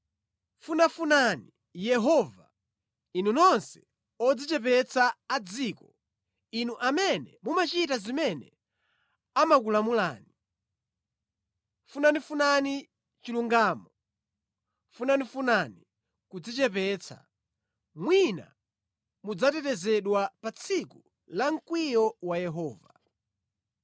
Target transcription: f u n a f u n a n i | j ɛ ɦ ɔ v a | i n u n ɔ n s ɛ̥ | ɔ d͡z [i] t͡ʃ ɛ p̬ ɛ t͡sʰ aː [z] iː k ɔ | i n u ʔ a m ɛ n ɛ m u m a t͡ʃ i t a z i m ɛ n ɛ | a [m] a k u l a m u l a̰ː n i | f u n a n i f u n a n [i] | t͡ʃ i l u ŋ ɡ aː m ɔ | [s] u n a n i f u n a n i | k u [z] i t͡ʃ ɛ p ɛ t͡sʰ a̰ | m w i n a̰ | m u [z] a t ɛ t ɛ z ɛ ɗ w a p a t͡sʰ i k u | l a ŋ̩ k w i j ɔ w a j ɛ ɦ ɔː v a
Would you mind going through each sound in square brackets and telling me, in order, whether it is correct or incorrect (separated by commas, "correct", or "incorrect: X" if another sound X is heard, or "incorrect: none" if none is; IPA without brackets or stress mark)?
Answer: correct, incorrect: d͡z, correct, correct, incorrect: f, incorrect: d͡z, incorrect: d͡z